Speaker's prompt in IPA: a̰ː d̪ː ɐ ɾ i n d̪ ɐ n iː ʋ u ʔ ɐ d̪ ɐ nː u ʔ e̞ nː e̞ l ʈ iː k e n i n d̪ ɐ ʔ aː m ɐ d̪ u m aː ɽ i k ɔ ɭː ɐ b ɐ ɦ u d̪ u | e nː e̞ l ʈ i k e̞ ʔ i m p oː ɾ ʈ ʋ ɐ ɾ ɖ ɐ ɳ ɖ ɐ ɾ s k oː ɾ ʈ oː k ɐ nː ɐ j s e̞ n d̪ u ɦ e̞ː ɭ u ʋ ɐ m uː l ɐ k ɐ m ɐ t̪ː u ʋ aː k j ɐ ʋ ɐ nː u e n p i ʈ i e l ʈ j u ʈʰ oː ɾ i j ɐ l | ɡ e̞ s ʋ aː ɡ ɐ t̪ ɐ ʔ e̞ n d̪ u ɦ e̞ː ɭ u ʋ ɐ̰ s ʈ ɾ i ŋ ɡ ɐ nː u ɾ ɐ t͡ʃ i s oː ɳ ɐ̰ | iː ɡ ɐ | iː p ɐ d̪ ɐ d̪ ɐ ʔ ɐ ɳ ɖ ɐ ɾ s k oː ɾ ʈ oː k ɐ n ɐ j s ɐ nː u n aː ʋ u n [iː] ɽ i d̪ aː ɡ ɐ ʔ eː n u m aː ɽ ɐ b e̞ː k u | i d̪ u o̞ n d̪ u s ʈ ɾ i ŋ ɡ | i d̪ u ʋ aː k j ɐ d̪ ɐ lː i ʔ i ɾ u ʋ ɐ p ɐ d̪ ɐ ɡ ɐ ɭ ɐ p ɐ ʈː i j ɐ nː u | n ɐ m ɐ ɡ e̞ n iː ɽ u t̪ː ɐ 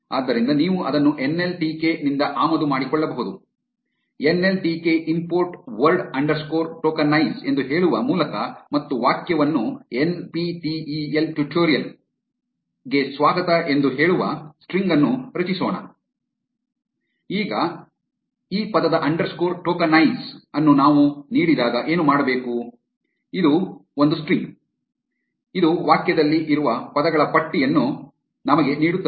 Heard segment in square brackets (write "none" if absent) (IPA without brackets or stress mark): iː